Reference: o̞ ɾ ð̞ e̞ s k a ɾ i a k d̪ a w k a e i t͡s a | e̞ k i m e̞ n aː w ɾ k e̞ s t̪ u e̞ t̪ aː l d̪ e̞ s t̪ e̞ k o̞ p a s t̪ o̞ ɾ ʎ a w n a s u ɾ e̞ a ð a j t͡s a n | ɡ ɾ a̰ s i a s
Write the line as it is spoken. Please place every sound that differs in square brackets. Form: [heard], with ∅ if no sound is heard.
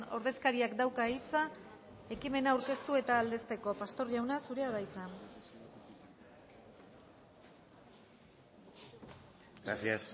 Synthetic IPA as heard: o̞ ɾ ð̞ e̞ s k a ɾ i a k d̪ a w k a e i t͡s a | e̞ k i m e̞ n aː w ɾ k e̞ s t̪ u e̞ t̪ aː l d̪ e̞ s t̪ e̞ k o̞ p a s t̪ o̞ ɾ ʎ a w n a s u ɾ e̞ a ð a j t͡s a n | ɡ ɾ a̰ s i a s